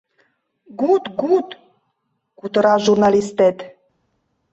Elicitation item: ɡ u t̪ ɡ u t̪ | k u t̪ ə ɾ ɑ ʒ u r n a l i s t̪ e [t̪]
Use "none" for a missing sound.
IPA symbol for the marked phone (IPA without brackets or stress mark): t̪